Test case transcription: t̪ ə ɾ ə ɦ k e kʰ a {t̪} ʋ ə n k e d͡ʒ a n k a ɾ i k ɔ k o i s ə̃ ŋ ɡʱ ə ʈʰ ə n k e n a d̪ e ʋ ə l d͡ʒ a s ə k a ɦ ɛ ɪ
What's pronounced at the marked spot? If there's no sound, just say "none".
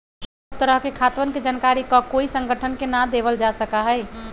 t̪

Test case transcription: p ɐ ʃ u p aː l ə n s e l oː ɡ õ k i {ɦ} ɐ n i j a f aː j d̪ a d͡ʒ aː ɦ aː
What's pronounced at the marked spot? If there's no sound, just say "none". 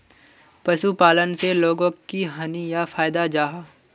ɦ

